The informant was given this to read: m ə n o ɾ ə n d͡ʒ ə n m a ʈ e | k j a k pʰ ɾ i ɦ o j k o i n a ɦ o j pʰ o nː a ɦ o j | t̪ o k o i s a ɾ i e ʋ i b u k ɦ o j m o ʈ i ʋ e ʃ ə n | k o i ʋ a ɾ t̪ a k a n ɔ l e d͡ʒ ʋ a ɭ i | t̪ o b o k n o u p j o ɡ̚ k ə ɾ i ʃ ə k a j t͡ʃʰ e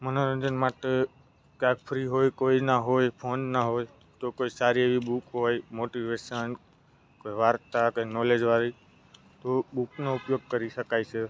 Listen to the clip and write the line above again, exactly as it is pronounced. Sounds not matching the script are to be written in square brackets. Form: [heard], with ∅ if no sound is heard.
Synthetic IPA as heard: m ə n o ɾ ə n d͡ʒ ə n m a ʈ e | k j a k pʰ ɾ i ɦ o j k o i n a ɦ o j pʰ o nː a ɦ o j | t̪ o k o i s a ɾ i e ʋ i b u k ɦ o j m o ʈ i ʋ e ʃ ə n | k o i ʋ a ɾ t̪ a k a n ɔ l e d͡ʒ ʋ a [ɾ] i | t̪ o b [u] k n o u p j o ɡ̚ k ə ɾ i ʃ ə k a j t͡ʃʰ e